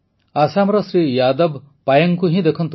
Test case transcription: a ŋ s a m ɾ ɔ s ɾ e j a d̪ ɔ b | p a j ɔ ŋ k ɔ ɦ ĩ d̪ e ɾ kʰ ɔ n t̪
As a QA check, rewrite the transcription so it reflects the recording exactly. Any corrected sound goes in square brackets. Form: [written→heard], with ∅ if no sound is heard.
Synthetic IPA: a [ŋ→∅] s a m ɾ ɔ s ɾ [e→i] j a d̪ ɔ b | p a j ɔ ŋ k [ɔ→u] ɦ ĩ d̪ e [ɾ→∅] kʰ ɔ n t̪